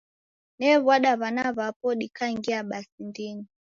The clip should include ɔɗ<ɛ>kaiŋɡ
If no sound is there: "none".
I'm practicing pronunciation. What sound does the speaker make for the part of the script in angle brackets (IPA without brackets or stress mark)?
i